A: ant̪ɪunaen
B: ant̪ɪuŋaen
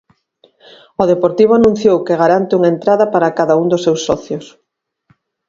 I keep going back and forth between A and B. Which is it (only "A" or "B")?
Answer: B